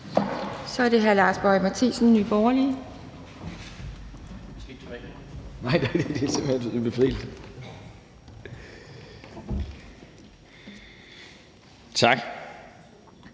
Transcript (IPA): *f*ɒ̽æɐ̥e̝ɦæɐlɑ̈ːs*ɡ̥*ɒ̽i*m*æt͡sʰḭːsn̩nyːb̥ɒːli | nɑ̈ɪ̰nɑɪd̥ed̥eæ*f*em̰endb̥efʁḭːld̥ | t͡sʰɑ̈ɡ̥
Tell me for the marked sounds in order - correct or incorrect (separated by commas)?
incorrect, incorrect, correct, incorrect